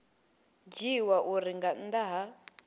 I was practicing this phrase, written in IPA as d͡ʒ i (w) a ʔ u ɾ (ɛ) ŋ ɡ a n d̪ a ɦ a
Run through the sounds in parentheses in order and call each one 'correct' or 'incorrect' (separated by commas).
correct, incorrect